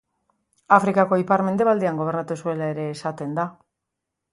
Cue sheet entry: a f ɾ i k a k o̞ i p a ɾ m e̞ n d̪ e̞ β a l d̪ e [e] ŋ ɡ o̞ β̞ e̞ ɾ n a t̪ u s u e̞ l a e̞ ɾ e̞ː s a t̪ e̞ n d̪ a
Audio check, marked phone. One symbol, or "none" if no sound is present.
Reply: a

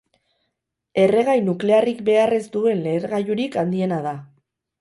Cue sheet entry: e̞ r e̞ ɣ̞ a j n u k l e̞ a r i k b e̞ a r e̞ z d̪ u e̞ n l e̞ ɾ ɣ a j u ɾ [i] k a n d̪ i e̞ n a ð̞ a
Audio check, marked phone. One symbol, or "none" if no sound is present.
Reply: i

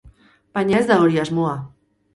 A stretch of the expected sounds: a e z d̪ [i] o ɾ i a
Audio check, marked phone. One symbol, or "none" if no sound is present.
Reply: a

